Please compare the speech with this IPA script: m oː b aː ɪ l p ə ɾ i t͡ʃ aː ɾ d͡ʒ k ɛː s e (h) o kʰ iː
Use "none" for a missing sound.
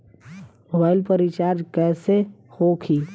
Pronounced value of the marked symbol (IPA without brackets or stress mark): h